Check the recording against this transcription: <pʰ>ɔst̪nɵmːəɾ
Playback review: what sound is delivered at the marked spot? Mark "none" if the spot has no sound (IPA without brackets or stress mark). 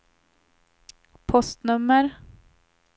pʰ